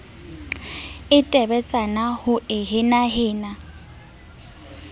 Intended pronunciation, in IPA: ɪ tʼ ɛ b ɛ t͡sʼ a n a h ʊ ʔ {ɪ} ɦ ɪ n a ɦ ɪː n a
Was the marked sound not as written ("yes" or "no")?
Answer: no